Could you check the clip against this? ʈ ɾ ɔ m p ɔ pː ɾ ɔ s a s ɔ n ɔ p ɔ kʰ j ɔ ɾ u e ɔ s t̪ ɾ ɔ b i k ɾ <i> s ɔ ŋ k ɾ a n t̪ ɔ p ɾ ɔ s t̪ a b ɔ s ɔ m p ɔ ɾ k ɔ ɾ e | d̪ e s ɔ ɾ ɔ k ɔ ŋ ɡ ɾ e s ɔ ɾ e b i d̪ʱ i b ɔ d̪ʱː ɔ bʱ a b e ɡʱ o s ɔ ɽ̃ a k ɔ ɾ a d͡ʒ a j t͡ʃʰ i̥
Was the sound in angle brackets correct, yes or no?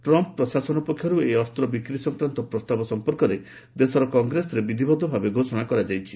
yes